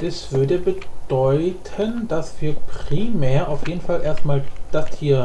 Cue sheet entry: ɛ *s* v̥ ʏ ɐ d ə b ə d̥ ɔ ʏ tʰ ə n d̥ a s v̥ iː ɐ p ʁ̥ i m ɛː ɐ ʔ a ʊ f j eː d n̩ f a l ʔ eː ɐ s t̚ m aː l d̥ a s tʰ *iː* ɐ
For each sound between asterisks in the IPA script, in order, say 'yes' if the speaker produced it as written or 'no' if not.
yes, yes

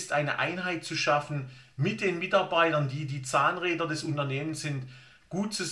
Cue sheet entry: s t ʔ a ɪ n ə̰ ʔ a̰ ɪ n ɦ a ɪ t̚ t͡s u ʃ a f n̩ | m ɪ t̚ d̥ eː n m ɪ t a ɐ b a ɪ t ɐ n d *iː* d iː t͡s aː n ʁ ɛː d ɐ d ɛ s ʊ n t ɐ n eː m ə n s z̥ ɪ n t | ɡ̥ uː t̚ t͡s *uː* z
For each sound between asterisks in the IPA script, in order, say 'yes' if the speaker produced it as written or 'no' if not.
yes, no

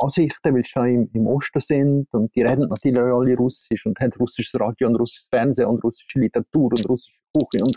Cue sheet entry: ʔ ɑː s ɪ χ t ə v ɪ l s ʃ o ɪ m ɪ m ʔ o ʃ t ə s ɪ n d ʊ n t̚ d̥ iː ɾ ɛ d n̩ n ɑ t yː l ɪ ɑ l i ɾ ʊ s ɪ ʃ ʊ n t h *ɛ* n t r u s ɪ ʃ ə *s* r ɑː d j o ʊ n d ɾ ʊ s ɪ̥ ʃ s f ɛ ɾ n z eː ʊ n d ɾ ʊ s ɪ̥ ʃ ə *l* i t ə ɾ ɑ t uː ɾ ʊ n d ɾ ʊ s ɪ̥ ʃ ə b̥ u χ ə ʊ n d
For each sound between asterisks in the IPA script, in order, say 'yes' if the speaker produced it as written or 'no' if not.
yes, yes, yes

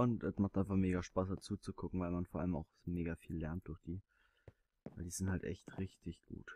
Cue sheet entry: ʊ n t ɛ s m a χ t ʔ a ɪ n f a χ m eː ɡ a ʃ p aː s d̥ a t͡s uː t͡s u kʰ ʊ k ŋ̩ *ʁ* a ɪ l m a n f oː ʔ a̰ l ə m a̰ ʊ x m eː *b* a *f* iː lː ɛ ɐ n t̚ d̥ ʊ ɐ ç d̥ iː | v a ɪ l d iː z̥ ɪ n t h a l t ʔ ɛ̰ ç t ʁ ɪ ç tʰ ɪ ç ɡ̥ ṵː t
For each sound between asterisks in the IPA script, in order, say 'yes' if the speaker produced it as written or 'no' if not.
no, no, yes

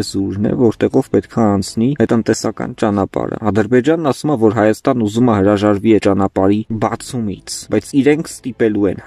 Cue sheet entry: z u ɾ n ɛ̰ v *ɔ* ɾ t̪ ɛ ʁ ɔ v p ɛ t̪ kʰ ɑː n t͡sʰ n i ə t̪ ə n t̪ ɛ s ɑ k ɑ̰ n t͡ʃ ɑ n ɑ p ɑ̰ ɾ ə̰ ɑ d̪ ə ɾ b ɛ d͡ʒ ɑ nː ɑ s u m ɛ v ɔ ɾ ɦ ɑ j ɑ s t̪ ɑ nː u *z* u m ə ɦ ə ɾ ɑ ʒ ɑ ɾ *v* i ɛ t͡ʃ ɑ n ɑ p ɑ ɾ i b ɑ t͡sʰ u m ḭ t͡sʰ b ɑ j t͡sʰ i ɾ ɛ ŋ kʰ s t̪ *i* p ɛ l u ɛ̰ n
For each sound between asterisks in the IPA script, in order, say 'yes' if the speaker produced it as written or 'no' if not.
yes, yes, yes, yes

